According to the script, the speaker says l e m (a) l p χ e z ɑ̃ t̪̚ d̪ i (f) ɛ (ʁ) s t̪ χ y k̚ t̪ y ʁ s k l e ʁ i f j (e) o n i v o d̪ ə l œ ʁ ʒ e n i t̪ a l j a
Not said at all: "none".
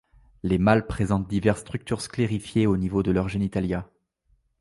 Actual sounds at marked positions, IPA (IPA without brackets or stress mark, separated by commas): a, v, ʁ, e